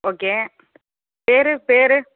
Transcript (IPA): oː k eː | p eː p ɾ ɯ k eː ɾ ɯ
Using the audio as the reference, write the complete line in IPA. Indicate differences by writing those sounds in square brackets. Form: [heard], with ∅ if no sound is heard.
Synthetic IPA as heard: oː k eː | p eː [∅] ɾ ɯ [p] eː ɾ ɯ